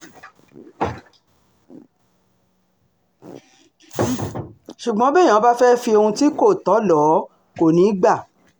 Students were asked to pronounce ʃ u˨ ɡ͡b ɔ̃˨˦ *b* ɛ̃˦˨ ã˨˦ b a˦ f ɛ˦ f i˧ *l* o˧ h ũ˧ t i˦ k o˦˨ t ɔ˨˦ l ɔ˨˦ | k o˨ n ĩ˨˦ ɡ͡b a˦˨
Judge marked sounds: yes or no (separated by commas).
yes, no